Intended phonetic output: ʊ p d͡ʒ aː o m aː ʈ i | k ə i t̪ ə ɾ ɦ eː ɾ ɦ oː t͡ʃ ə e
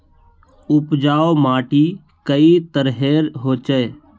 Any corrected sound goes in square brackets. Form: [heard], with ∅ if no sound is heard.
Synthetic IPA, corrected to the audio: ʊ p d͡ʒ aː o m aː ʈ i | k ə i t̪ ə ɾ ɦ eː ɾ ɦ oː t͡ʃ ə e